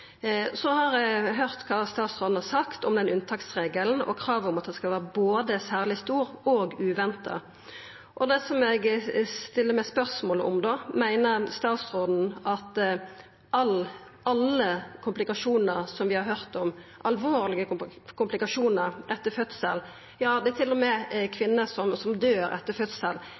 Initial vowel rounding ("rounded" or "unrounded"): rounded